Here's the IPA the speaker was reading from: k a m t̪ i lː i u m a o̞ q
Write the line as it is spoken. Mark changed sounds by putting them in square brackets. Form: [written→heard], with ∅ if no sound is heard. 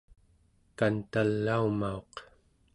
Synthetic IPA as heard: k a [m→n] t̪ [i→a] lː [i→a] u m a o̞ q